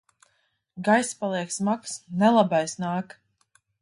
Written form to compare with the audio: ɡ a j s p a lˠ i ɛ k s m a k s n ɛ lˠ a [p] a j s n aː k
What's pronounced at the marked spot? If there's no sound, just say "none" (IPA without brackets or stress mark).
b